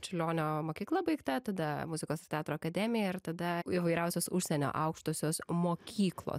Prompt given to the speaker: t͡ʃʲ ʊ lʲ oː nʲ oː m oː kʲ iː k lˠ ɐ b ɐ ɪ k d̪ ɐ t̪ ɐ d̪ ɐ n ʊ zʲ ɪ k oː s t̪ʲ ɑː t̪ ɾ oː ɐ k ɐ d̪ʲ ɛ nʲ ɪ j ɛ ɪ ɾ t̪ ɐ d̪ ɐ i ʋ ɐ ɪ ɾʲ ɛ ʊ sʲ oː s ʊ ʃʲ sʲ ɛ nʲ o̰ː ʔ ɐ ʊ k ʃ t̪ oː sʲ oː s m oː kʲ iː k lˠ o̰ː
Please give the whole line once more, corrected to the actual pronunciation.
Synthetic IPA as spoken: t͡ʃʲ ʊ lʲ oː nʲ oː m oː kʲ iː k lˠ ɐ b ɐ ɪ k t̪ ɐ t̪ ɐ d̪ ɐ m ʊ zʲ ɪ k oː s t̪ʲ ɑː t̪ ɾ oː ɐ k ɐ d̪ʲ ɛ mʲ ɪ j ɛ ɪ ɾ t̪ ɐ d̪ ɐ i ʋ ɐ ɪ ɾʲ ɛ ʊ sʲ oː s ʊ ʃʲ sʲ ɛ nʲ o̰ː ʔ ɐ ʊ k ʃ t̪ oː sʲ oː s m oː kʲ iː k lˠ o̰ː